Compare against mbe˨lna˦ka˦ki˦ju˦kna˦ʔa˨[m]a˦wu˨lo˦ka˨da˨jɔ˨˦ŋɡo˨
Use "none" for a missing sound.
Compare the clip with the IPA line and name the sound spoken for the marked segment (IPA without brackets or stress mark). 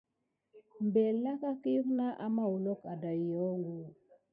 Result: m